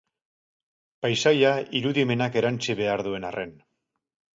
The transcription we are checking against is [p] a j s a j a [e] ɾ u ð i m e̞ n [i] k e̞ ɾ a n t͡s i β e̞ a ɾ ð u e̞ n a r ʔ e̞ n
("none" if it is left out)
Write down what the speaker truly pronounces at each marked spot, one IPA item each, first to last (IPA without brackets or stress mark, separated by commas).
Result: p, i, a